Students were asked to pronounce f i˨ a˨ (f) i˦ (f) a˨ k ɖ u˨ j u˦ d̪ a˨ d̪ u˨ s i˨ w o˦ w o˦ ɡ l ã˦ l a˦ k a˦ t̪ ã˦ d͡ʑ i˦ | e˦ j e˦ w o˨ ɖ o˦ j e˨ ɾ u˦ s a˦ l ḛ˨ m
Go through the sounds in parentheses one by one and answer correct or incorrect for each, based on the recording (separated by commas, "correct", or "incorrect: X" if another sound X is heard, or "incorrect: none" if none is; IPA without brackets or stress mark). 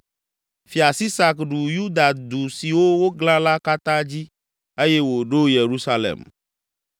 incorrect: s, incorrect: s